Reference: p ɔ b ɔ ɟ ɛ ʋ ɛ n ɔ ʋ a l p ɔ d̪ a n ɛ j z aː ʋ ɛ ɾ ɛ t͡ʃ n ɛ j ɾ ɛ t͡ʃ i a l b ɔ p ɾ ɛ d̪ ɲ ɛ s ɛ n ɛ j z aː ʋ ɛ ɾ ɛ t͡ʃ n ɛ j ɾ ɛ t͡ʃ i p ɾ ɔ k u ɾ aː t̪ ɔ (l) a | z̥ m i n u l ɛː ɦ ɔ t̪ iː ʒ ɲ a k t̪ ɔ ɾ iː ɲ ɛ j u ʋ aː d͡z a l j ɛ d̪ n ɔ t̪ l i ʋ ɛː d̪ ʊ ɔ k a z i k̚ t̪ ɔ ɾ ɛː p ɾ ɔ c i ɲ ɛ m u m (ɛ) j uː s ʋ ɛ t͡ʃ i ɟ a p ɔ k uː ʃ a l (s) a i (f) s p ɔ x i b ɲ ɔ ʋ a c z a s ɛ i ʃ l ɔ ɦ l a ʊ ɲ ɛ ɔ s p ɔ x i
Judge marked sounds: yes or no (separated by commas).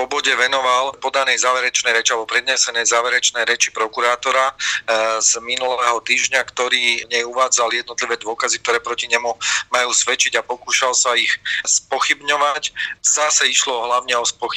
no, no, yes, no